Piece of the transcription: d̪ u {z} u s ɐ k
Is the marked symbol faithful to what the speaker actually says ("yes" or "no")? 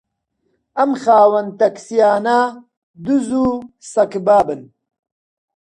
yes